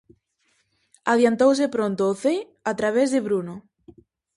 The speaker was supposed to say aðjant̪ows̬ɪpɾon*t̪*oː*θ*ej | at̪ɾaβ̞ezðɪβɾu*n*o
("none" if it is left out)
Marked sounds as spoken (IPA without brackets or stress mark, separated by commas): t̪, θ, n